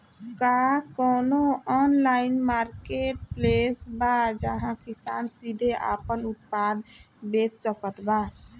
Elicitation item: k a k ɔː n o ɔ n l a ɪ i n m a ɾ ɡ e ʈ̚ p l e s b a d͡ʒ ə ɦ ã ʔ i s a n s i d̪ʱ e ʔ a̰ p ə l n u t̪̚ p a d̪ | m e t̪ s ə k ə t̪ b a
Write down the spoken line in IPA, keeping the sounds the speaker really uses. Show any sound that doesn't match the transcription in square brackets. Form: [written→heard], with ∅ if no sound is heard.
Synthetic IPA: k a k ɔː n o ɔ n l a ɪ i n m a ɾ [ɡ→k] e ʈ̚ p l e s b a d͡ʒ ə ɦ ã [ʔ→k] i s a n s i d̪ʱ e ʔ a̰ p ə [l→∅] n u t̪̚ p a d̪ | [m→b] e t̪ s ə k ə t̪ b a